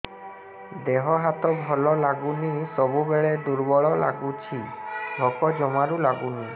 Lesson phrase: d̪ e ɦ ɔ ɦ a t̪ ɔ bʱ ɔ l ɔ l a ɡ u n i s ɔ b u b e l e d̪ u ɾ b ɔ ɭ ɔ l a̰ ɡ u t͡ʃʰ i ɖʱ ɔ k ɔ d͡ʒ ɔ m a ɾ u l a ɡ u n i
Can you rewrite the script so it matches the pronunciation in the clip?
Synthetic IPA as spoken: d̪ e ɦ ɔ ɦ a t̪ ɔ bʱ ɔ l ɔ l a ɡ u n i s ɔ b u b e ɭ e d̪ u ɾ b ɔ ɭ ɔ l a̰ ɡ u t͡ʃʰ i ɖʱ ɔ k ɔ d͡ʒ ɔ m a ɾ u l a ɡ u n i